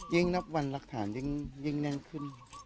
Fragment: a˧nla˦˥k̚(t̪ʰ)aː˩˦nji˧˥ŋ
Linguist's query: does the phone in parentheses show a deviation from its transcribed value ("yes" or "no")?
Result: no